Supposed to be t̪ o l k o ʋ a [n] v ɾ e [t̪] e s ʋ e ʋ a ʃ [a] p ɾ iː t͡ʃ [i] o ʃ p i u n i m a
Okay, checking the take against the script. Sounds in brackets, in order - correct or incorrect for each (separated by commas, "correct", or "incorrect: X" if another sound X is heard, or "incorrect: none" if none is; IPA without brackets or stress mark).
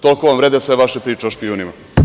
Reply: incorrect: m, incorrect: d̪, incorrect: e, incorrect: e